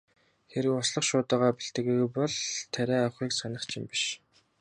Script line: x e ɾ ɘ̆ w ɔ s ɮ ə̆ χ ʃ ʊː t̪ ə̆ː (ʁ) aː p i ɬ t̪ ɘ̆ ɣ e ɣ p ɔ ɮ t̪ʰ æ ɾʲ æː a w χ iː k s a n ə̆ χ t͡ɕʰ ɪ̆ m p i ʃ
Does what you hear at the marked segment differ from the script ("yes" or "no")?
no